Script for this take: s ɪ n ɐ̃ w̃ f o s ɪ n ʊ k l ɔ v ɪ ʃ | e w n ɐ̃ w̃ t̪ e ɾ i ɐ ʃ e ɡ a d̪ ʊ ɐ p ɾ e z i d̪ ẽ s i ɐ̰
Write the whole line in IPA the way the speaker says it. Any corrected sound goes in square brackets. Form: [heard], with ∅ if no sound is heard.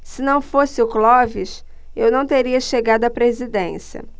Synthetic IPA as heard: s ɪ n ɐ̃ w̃ f o s ɪ [∅] ʊ k l ɔ v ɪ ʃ | e w n ɐ̃ w̃ t̪ e ɾ i ɐ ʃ e ɡ a d̪ ʊ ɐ p ɾ e z i d̪ ẽ s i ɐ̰

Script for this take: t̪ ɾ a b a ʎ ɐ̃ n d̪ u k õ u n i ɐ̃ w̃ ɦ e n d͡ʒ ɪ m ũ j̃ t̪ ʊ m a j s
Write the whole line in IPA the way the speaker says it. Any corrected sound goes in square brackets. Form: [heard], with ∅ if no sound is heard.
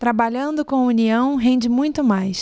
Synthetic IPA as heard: t̪ ɾ a b a ʎ ɐ̃ n d̪ [ʊ] k õ u n i ɐ̃ w̃ ɦ [ẽ] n d͡ʒ ɪ m ũ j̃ t̪ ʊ m a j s

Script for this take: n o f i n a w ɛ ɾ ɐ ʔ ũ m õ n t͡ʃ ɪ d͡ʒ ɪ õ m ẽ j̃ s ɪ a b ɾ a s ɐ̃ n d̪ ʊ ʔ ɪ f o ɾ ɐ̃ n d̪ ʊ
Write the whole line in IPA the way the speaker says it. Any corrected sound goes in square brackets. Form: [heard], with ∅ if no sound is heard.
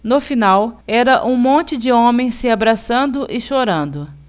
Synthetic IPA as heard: n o f i n a w ɛ ɾ ɐ ʔ ũ m õ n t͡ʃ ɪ d͡ʒ ɪ õ m ẽ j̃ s ɪ a b ɾ a s ɐ̃ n d̪ ʊ ʔ ɪ [ʃ] o ɾ ɐ̃ n d̪ ʊ

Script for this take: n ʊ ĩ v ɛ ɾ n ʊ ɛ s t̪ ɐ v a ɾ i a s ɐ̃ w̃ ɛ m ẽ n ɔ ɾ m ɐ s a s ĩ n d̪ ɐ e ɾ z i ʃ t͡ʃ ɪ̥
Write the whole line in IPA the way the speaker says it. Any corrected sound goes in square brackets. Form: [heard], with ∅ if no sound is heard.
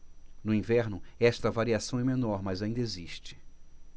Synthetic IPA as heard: n ʊ ĩ v ɛ ɾ n ʊ ɛ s t̪ ɐ v a ɾ i a s ɐ̃ w̃ ɛ m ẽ n ɔ ɾ m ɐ [z] a [∅] ĩ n d̪ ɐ e [∅] z i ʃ t͡ʃ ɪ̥

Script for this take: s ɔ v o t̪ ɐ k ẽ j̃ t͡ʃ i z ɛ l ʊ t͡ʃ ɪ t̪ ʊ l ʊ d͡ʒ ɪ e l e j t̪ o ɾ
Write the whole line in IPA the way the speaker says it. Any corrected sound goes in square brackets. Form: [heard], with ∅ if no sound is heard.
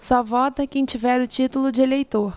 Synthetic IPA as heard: s ɔ v [ɔ] t̪ ɐ k ẽ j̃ t͡ʃ i [v] ɛ [ɾ] ʊ t͡ʃ [i] t̪ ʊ l ʊ d͡ʒ ɪ e l e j t̪ o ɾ

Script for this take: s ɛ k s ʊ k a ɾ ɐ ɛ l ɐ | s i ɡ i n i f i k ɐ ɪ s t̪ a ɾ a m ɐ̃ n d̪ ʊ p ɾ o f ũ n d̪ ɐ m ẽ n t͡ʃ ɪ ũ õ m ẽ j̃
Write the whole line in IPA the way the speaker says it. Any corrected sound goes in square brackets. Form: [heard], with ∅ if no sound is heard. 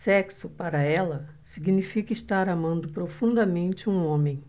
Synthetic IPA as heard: s ɛ k s ʊ [p] a ɾ ɐ ɛ l ɐ | s i ɡ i n i f i k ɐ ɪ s t̪ a ɾ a m ɐ̃ n d̪ ʊ p ɾ o f ũ n d̪ ɐ m ẽ n t͡ʃ ɪ ũ õ m ẽ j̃

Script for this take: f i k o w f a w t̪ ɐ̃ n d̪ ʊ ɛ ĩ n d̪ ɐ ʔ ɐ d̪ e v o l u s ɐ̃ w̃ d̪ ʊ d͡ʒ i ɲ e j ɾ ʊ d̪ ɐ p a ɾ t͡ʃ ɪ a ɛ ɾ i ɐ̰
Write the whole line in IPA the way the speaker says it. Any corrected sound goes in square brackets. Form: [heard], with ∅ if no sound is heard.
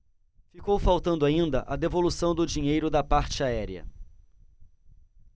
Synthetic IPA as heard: f i k o w f a w t̪ ɐ̃ n d̪ ʊ [a] ĩ n d̪ ɐ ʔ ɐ d̪ e v o l u s ɐ̃ w̃ d̪ ʊ d͡ʒ i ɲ e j ɾ ʊ d̪ ɐ p a ɾ t͡ʃ ɪ a ɛ ɾ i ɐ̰

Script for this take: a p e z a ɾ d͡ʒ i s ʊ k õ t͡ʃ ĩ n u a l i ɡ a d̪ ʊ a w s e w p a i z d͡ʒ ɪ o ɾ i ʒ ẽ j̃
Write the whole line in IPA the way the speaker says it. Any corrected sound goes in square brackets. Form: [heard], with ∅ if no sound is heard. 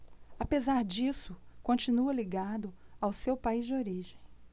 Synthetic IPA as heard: a p e z a ɾ d͡ʒ i s ʊ k õ t͡ʃ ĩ n u [ɐ] l i ɡ a d̪ ʊ a w s e w p a i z d͡ʒ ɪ o ɾ i ʒ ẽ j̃

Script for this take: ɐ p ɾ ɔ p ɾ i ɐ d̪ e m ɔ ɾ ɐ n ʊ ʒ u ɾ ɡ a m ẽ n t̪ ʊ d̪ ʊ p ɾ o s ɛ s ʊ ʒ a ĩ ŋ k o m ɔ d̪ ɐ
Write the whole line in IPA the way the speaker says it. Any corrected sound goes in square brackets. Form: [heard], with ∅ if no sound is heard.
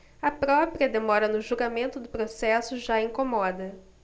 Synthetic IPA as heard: ɐ p ɾ ɔ p ɾ i ɐ d̪ e m ɔ ɾ ɐ n ʊ ʒ u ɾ ɡ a m ẽ n t̪ ʊ d̪ ʊ p ɾ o s ɛ s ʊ ʒ a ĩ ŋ k o m ɔ d̪ ɐ

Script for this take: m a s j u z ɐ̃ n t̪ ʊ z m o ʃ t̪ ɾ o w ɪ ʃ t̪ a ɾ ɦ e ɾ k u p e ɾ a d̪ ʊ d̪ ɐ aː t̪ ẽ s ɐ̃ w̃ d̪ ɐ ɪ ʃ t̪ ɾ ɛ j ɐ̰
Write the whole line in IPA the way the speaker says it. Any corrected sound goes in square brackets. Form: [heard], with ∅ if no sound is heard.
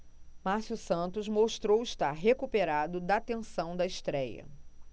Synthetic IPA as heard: m a s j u [s] ɐ̃ n t̪ ʊ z m o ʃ t̪ ɾ o w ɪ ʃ t̪ a ɾ ɦ e [∅] k u p e ɾ a d̪ ʊ d̪ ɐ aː t̪ ẽ s ɐ̃ w̃ d̪ ɐ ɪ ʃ t̪ ɾ ɛ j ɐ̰

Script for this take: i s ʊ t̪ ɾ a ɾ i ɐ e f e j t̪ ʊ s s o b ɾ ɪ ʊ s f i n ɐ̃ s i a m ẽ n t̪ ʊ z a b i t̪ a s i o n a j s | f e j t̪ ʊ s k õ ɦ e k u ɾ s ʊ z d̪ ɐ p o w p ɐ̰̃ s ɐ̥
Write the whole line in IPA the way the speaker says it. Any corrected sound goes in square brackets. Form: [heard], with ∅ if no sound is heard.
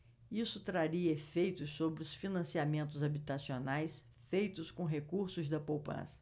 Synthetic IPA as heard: i s ʊ t̪ ɾ a ɾ i ɐ e f e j t̪ ʊ s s o b ɾ ɪ ʊ s f i n ɐ̃ s i a m ẽ n t̪ ʊ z a b i t̪ a s i o n a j s | f e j t̪ ʊ s k õ ɦ e k u ɾ s ʊ z d̪ ɐ p o w p ɐ̰̃ s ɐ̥

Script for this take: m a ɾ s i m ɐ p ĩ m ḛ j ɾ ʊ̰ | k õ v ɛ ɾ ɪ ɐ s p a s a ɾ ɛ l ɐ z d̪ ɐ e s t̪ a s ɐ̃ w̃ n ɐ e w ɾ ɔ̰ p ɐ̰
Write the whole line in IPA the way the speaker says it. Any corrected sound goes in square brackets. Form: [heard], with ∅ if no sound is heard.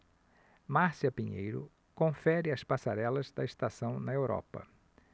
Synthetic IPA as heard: m a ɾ s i [∅] ɐ p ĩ [ɲ] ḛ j ɾ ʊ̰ | k õ [f] ɛ ɾ ɪ ɐ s p a s a ɾ ɛ l ɐ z d̪ ɐ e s t̪ a s ɐ̃ w̃ n ɐ e w ɾ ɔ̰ p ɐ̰

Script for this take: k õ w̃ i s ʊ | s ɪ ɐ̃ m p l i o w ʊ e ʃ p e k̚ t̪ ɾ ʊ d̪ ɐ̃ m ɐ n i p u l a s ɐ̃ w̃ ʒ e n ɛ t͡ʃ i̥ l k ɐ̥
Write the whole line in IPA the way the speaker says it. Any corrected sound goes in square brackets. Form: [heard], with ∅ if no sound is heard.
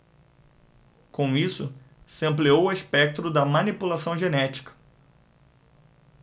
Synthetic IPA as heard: k õ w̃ i s ʊ | s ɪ ɐ̃ m p l i o w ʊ e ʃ p [ɛ] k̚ t̪ ɾ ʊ d̪ [ɐ] m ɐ n i p u l a s ɐ̃ w̃ ʒ e n ɛ t͡ʃ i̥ [∅] k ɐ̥

